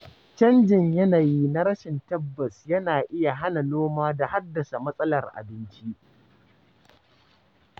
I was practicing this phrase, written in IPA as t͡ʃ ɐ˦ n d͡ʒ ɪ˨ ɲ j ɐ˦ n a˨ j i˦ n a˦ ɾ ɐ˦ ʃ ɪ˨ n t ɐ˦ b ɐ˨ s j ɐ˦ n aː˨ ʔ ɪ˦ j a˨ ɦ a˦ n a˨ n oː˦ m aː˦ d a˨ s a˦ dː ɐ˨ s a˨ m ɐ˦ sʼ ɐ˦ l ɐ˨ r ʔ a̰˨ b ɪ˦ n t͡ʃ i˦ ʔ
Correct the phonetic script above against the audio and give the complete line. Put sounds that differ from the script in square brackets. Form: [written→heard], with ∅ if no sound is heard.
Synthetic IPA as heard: t͡ʃ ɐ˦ n d͡ʒ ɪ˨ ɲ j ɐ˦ n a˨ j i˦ n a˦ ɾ ɐ˦ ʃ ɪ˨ n t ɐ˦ [b→bː] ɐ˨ s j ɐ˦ n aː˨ ʔ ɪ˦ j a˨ ɦ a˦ n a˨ n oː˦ m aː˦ d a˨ [s→h] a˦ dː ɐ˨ s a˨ m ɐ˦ sʼ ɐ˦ l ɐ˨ r ʔ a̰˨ b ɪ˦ n t͡ʃ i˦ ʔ